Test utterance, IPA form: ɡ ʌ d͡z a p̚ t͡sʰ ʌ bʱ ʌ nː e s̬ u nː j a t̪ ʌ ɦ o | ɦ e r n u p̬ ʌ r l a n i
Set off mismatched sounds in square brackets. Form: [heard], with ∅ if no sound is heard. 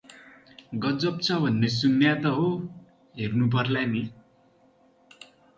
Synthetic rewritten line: ɡ ʌ d͡z [ʌ] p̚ t͡sʰ ʌ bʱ ʌ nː e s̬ u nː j a t̪ ʌ ɦ o | ɦ e r n u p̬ ʌ r l a n i